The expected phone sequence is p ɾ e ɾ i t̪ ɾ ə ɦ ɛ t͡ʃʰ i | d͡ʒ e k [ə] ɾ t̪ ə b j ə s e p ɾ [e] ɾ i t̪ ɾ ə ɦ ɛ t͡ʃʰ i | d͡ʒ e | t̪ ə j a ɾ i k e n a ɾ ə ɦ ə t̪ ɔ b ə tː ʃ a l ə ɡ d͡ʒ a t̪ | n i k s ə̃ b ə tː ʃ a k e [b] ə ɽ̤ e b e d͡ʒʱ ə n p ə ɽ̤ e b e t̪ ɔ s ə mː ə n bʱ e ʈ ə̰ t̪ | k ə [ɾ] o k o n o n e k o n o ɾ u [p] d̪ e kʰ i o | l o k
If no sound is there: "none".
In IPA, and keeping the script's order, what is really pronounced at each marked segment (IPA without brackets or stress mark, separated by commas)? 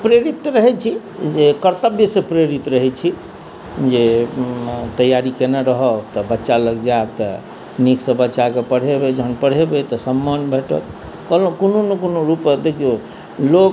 ə, e, p, l, p